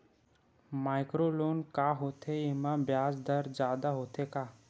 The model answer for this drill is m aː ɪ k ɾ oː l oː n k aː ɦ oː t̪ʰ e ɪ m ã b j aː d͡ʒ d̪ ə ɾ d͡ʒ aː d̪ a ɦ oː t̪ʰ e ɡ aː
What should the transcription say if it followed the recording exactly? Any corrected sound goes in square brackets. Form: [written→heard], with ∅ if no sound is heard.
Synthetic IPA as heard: m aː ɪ k ɾ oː l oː n k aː ɦ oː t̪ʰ e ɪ m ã b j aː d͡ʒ d̪ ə ɾ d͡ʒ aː d̪ a ɦ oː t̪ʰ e [ɡ→k] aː